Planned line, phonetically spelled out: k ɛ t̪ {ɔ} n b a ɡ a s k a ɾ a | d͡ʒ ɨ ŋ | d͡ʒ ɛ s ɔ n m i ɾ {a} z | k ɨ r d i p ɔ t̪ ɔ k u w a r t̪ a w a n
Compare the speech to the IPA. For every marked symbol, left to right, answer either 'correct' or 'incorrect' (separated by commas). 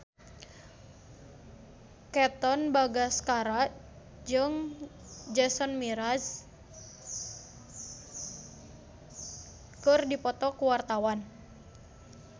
correct, correct